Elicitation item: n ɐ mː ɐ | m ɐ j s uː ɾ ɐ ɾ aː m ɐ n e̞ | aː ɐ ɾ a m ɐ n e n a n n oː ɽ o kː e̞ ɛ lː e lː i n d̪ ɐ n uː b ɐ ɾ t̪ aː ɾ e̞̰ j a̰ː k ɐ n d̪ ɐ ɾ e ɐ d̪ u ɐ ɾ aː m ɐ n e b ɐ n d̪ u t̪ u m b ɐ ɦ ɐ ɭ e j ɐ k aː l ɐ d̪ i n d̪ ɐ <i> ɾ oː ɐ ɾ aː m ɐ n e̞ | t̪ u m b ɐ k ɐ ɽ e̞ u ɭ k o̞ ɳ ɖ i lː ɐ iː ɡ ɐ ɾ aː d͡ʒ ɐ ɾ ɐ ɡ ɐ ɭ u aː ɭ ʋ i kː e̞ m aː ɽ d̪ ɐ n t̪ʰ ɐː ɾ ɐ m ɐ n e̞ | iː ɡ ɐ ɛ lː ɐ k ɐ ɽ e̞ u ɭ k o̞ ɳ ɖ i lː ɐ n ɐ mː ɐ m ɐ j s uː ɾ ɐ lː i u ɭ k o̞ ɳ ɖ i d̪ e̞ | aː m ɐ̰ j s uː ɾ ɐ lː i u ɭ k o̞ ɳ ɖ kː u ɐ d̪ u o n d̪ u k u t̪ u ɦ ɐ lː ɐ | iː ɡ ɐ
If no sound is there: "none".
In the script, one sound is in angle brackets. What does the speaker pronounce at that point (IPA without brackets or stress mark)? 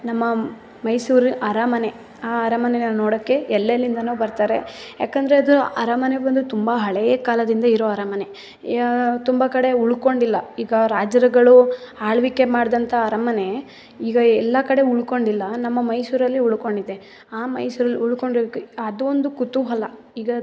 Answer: i